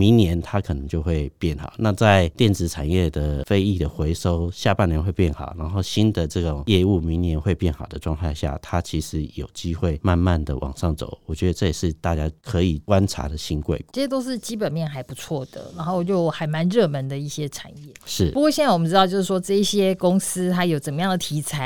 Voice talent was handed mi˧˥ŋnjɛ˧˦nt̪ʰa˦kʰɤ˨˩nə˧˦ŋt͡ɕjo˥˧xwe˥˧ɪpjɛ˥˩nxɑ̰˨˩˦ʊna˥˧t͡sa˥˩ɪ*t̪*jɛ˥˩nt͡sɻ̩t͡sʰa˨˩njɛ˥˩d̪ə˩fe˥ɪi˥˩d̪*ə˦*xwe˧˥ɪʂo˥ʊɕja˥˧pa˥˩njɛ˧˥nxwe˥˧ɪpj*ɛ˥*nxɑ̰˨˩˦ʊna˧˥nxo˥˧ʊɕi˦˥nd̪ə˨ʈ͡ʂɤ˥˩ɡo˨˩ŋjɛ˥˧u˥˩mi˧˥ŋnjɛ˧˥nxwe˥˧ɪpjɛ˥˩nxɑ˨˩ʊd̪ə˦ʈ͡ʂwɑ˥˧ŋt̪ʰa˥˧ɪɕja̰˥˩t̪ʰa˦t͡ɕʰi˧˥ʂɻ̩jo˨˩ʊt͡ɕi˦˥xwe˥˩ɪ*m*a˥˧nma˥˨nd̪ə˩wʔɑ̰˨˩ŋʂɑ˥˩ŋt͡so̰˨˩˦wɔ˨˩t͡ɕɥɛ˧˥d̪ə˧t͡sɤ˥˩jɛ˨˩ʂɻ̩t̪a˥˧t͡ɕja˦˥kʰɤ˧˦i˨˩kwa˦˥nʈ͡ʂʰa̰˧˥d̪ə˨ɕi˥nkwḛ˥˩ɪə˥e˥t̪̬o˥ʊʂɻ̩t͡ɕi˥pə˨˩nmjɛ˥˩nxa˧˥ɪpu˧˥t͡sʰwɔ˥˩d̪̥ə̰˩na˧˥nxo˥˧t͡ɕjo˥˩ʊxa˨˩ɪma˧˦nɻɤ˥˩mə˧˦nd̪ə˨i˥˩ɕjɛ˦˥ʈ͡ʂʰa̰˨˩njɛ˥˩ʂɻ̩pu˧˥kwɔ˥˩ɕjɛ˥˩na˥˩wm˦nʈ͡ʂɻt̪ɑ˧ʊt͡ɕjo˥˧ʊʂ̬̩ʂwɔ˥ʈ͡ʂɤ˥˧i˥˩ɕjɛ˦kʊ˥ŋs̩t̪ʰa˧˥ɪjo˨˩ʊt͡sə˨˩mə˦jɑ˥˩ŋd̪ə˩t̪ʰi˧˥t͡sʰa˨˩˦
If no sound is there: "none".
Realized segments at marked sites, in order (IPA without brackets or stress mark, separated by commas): t̪, ə˩, ɛ˥˩, m